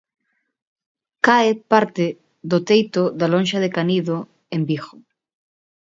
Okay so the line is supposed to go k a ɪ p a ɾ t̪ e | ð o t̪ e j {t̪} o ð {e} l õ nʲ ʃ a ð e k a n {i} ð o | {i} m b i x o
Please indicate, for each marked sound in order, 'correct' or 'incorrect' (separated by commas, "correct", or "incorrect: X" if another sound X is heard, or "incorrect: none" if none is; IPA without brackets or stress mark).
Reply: correct, incorrect: a, correct, incorrect: e